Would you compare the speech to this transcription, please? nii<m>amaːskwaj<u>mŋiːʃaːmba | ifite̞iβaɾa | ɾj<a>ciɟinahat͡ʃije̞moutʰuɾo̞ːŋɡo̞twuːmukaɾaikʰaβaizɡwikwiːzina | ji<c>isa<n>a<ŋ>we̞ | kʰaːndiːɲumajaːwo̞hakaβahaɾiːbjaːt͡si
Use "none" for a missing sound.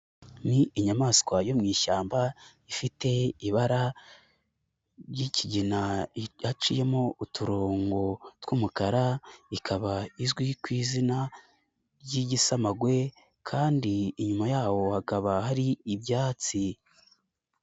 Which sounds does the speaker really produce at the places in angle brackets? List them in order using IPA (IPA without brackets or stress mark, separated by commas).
ɲ, o, i, ɟ, m, ɡ